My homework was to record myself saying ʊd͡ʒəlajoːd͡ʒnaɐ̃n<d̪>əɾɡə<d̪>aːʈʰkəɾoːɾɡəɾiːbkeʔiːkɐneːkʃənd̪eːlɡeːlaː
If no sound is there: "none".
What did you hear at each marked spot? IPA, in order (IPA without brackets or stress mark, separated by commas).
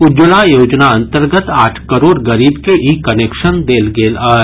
t̪, t̪